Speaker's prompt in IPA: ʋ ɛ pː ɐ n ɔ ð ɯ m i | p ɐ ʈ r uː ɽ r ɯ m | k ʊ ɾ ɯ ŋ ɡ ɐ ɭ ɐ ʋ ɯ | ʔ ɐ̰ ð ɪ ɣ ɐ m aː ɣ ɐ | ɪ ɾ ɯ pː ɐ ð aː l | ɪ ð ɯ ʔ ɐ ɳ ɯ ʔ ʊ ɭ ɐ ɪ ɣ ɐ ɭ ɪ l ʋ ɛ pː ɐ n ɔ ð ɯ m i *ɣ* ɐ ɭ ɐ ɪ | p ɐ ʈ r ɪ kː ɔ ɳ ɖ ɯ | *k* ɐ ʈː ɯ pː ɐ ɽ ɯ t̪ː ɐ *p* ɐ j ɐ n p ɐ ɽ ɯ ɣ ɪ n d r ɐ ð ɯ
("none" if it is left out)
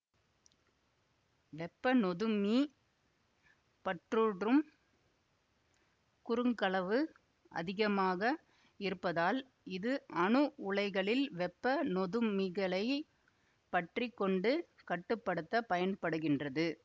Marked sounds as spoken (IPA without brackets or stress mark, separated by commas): ɣ, k, p